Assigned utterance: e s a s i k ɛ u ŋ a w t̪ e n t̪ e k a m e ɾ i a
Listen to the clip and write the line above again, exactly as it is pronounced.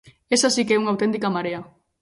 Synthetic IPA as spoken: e s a s i k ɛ u ŋ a w t̪ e n t̪ i k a m a ɾ e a